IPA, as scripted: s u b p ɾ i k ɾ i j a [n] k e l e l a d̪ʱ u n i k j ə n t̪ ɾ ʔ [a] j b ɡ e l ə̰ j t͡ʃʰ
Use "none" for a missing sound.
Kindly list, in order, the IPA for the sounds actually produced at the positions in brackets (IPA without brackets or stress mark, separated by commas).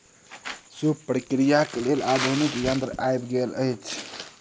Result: none, a